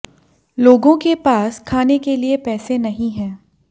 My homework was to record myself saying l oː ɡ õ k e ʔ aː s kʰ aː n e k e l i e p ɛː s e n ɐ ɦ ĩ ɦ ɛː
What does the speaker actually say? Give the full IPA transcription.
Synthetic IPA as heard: l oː ɡ õ k e p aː s kʰ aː n e k e l i e p ɛː s e n ɐ ɦ ĩ ɦ ɛ̃ː